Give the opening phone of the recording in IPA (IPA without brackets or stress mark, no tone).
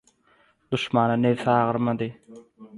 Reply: d̪